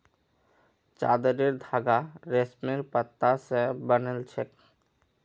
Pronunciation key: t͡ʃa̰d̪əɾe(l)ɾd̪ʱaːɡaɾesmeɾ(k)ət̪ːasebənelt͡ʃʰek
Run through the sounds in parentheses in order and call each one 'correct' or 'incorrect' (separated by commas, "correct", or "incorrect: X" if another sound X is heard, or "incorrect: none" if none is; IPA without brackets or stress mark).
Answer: incorrect: none, incorrect: p